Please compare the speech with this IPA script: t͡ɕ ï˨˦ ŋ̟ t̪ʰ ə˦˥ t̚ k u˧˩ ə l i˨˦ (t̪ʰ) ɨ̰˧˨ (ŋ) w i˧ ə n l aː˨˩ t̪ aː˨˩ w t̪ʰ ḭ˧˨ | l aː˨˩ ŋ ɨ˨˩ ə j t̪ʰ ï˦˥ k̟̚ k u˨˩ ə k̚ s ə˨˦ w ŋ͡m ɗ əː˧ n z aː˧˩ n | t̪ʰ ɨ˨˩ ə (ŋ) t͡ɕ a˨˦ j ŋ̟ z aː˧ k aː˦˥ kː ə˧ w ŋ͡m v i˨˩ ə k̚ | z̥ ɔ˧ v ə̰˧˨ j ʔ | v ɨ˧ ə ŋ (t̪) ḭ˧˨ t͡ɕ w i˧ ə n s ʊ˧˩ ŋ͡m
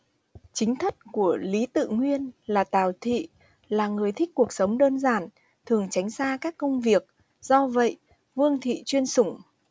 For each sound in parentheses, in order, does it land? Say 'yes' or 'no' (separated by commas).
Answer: no, yes, yes, no